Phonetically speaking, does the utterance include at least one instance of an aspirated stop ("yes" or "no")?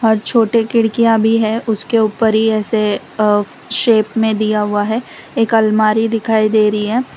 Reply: yes